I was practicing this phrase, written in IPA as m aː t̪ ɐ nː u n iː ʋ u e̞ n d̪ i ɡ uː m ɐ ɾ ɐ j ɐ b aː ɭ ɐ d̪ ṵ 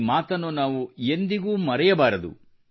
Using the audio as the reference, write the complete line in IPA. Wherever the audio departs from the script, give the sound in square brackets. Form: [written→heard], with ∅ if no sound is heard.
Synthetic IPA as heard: m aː t̪ ɐ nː u n [iː→aː] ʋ u e̞ n d̪ i ɡ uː m ɐ ɾ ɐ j ɐ b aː [ɭ→ɾ] ɐ d̪ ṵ

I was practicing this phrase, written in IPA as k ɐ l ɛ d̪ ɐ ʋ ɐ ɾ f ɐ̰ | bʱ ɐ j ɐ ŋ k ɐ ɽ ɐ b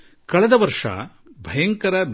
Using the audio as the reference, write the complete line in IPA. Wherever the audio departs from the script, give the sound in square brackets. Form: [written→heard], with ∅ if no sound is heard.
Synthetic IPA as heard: k ɐ [l→ɭ] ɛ d̪ ɐ ʋ ɐ ɾ [f→ʂ] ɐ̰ | bʱ ɐ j ɐ ŋ k ɐ [ɽ→ɾ] ɐ b

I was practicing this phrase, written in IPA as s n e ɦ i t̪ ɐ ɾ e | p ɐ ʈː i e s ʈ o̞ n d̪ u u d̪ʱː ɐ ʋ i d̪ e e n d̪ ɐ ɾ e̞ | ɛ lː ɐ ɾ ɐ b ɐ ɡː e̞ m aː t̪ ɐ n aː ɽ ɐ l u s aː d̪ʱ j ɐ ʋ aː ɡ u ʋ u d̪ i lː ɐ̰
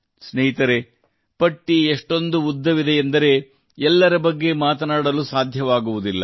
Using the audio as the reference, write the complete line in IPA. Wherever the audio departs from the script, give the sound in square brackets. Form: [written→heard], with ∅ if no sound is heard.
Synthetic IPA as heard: s n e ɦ i t̪ ɐ ɾ e | p ɐ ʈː i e [s→ʂ] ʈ o̞ n d̪ u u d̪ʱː ɐ ʋ i d̪ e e n d̪ ɐ ɾ e̞ | ɛ lː ɐ ɾ ɐ b ɐ ɡː e̞ m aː t̪ ɐ n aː ɽ ɐ l u s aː d̪ʱ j ɐ ʋ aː ɡ u ʋ u d̪ i lː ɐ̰

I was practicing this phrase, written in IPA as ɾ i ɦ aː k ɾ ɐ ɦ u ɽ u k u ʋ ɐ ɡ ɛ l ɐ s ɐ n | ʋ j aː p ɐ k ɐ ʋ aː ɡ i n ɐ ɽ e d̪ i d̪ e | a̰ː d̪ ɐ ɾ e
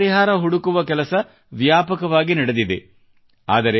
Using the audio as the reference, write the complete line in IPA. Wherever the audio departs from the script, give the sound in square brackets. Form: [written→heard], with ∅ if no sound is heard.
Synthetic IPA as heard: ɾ i ɦ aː [k→∅] ɾ ɐ ɦ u ɽ u k u ʋ ɐ [ɡ→k] ɛ l ɐ s ɐ [n→∅] | ʋ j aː p ɐ k ɐ ʋ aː ɡ i n ɐ ɽ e d̪ i d̪ e | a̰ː d̪ ɐ ɾ e

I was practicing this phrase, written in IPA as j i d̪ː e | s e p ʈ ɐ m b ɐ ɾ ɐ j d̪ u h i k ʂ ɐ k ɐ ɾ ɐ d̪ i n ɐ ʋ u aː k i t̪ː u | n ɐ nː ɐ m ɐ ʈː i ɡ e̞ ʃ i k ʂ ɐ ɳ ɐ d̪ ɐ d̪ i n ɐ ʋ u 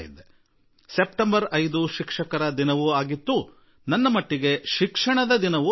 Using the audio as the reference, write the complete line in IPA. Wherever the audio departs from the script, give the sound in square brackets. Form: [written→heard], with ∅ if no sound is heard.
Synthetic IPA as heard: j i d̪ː e | s e p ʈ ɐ m b ɐ ɾ ɐ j d̪ u [h→ʃ] i k ʂ ɐ k ɐ ɾ ɐ d̪ i n ɐ ʋ u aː [k→ɡ] i t̪ː u | n ɐ nː ɐ m ɐ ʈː i ɡ e̞ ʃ i k ʂ ɐ ɳ ɐ d̪ ɐ d̪ i n ɐ ʋ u

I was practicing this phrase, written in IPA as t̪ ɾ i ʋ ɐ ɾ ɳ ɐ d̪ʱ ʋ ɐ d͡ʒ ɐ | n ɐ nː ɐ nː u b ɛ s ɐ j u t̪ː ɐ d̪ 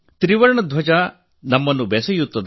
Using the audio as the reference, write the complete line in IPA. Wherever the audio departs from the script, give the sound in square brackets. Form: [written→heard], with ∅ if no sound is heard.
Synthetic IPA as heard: t̪ ɾ i ʋ ɐ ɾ ɳ ɐ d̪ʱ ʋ ɐ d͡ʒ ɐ | n ɐ [nː→mː] ɐ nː u b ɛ s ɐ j u t̪ː ɐ d̪

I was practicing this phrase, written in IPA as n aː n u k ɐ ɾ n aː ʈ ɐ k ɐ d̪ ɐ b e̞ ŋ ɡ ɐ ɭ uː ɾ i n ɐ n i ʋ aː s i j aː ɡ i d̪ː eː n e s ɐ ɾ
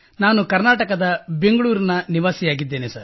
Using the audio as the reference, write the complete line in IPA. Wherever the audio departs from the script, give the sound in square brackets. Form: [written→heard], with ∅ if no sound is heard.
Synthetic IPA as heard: n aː n u k ɐ ɾ n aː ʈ ɐ k ɐ d̪ ɐ b e̞ ŋ ɡ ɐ ɭ uː ɾ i n ɐ n i ʋ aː s i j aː ɡ i d̪ː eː n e s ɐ ɾ

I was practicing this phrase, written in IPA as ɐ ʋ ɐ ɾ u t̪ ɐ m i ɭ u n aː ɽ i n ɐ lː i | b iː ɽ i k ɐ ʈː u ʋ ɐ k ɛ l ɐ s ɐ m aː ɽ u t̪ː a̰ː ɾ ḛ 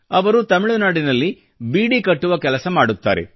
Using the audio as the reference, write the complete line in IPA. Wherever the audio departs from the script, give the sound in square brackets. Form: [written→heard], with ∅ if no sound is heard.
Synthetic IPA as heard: ɐ ʋ ɐ ɾ u t̪ ɐ m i ɭ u n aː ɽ i n ɐ lː i | b iː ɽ i k ɐ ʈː u ʋ ɐ k ɛ l ɐ s ɐ m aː ɽ u t̪ː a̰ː ɾ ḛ

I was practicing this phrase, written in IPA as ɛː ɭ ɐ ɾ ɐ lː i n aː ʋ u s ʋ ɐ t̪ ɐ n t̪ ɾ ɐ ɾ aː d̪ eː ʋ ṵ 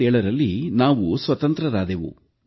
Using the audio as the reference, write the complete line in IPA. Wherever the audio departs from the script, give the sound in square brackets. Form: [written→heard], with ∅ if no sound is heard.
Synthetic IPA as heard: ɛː ɭ ɐ ɾ ɐ lː i n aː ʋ u s ʋ ɐ t̪ ɐ n t̪ ɾ ɐ ɾ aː d̪ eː ʋ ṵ

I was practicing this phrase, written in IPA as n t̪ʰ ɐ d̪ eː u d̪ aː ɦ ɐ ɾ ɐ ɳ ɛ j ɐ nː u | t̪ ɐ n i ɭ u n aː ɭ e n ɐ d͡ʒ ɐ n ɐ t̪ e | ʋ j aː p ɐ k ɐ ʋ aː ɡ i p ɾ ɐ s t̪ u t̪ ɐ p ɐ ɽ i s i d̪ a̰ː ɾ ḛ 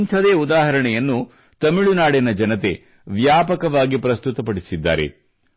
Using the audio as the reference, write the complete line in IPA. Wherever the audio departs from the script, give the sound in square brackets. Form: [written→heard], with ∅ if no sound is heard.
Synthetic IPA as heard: n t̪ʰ ɐ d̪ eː u d̪ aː ɦ ɐ ɾ ɐ ɳ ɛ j ɐ nː u | t̪ ɐ [n→m] i ɭ u n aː [ɭ→ɽ] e n ɐ d͡ʒ ɐ n ɐ t̪ e | ʋ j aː p ɐ k ɐ ʋ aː ɡ i p ɾ ɐ s t̪ u t̪ ɐ p ɐ ɽ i s i [d̪→d̪ː] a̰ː ɾ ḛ

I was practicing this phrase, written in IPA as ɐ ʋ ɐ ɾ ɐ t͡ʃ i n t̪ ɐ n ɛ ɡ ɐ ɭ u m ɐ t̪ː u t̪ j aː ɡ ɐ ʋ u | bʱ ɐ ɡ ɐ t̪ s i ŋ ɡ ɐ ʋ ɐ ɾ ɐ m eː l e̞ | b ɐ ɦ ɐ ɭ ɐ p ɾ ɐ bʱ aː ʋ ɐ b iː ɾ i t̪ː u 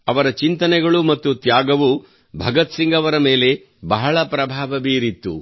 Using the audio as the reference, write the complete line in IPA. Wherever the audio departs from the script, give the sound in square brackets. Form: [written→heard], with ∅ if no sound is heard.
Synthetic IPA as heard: ɐ ʋ ɐ ɾ ɐ t͡ʃ i n t̪ ɐ n ɛ ɡ ɐ ɭ u m ɐ t̪ː u t̪ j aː ɡ ɐ ʋ u | bʱ ɐ ɡ ɐ t̪ s i ŋ ɡ ɐ ʋ ɐ ɾ ɐ m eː l e̞ | b ɐ ɦ ɐ ɭ ɐ p ɾ ɐ bʱ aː ʋ ɐ b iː ɾ i t̪ː u

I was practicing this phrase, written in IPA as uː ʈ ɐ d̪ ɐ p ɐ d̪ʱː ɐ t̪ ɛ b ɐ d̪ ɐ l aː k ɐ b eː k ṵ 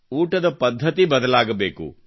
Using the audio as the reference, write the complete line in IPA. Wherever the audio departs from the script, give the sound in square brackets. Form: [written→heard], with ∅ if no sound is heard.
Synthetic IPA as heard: uː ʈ ɐ d̪ ɐ p ɐ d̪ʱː ɐ t̪ [ɛ→i] b ɐ d̪ ɐ l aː [k→ɡ] ɐ b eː k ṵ

